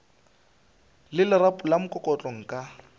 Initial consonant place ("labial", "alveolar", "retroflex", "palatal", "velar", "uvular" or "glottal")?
alveolar